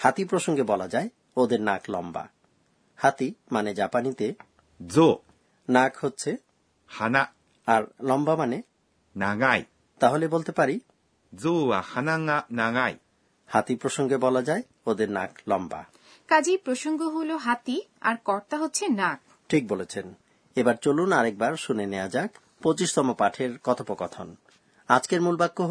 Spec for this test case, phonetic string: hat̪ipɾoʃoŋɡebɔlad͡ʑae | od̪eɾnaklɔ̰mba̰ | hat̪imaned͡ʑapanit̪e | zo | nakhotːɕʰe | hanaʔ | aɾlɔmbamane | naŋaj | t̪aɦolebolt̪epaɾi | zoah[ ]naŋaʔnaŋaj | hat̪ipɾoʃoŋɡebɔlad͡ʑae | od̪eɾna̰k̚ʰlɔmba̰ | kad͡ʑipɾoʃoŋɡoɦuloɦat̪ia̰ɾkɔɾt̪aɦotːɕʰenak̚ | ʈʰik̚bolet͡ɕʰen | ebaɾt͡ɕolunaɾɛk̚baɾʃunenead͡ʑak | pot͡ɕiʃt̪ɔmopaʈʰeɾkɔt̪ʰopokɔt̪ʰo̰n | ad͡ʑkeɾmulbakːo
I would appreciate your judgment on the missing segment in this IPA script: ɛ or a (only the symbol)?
a